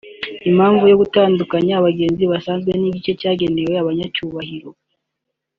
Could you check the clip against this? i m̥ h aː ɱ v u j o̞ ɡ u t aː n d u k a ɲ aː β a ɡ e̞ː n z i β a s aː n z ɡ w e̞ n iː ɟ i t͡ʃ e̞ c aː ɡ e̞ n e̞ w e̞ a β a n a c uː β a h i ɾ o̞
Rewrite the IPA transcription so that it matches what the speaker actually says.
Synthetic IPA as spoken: i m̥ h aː ɱ v u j o̞ ɡ u t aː n d u k a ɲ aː β a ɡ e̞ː n z i β a s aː n z ɡ w e̞ n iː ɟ i t͡ʃ e̞ c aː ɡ e̞ n e̞ w e̞ a β a ɲ a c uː β a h i ɾ o̞